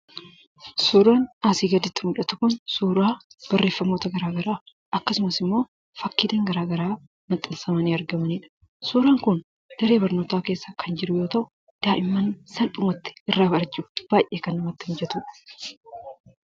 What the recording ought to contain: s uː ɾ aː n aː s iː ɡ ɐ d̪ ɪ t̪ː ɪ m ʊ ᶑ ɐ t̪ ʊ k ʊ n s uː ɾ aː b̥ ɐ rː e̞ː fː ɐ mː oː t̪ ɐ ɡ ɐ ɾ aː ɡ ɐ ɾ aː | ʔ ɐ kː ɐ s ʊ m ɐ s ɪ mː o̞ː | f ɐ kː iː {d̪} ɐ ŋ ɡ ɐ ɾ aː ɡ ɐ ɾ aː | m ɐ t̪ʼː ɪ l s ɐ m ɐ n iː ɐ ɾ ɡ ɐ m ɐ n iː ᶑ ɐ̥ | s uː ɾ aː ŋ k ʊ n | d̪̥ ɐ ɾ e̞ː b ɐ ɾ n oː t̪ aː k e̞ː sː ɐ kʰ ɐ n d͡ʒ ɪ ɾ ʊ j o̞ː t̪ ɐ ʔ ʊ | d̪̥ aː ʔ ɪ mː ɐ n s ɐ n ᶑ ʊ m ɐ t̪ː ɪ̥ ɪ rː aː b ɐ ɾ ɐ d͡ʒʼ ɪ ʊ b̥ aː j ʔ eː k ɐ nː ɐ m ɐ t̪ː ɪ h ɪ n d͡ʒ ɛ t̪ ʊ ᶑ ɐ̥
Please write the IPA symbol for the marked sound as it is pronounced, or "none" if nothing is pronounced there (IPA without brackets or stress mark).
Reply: d̪